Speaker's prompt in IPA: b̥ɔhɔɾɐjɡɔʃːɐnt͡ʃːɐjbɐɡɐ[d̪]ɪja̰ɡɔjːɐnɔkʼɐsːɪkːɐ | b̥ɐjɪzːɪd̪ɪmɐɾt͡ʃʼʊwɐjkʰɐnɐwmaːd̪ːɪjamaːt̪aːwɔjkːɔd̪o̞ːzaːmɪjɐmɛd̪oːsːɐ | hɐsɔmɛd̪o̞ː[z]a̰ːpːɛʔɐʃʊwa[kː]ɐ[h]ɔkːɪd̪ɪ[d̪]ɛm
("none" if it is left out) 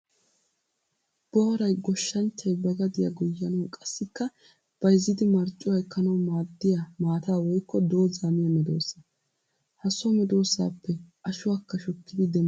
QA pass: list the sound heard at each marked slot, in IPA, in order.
d̪, s, kː, ʃ, d̪

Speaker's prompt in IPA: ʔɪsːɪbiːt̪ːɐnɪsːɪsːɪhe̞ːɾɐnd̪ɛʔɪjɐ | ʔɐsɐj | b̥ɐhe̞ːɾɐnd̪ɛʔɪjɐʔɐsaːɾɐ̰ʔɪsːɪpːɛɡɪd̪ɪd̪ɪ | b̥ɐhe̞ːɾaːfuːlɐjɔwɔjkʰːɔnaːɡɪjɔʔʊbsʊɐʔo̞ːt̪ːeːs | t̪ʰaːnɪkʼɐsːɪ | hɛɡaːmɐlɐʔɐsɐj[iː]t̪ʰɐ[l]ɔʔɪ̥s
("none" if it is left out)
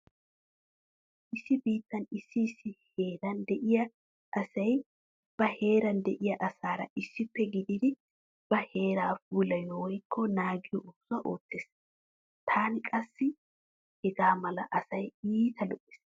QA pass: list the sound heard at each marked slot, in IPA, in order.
iː, l

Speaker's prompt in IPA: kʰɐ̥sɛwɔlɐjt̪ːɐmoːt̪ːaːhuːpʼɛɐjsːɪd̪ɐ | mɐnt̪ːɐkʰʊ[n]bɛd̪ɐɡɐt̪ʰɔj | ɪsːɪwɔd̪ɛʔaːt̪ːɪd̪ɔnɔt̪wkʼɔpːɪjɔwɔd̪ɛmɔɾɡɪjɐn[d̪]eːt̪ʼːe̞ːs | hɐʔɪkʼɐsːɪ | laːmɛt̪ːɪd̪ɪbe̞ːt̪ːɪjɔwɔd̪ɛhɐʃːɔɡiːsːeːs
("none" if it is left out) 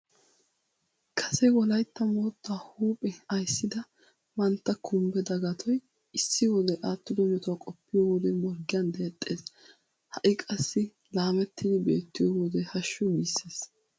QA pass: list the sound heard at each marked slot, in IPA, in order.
m, d̪

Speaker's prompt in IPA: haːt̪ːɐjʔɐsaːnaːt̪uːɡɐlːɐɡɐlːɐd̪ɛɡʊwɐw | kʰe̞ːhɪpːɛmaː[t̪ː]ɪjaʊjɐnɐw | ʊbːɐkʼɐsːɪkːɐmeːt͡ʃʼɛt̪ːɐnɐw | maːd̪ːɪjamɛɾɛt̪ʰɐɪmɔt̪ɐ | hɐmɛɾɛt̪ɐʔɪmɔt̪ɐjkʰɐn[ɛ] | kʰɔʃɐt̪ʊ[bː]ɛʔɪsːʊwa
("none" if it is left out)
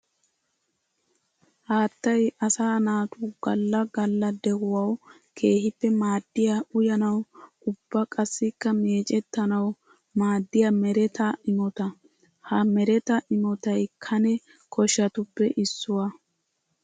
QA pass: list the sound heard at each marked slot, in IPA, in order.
d̪ː, ɛ, pː

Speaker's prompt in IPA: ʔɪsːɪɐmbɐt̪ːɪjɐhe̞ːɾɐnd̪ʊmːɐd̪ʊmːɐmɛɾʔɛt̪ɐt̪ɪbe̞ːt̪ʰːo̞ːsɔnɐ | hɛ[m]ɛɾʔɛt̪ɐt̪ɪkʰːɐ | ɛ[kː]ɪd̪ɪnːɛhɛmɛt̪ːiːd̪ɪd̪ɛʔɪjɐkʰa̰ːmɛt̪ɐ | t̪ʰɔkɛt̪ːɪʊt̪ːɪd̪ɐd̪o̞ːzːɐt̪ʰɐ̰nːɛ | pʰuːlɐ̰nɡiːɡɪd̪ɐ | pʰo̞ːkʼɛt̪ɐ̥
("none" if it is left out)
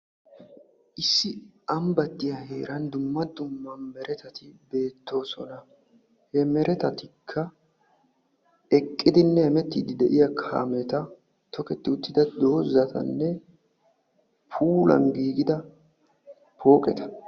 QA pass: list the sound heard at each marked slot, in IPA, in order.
m, kʼː

